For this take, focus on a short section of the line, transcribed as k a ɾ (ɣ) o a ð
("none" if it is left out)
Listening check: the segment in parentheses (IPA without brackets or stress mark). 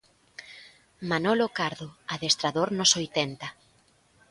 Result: ð